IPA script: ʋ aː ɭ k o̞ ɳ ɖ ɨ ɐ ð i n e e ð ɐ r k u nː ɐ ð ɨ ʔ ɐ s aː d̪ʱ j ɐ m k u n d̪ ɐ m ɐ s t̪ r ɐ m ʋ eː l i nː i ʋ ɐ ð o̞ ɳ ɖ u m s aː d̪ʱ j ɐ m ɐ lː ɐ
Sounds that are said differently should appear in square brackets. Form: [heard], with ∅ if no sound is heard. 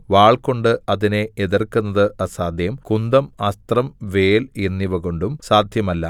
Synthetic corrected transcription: ʋ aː ɭ k o̞ ɳ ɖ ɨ ɐ ð i n e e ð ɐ r k u nː ɐ ð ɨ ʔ ɐ s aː d̪ʱ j ɐ m k u n d̪ ɐ m ɐ s t̪ r ɐ m ʋ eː l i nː i ʋ ɐ [ɣ] o̞ ɳ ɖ u m s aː d̪ʱ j ɐ m ɐ lː ɐ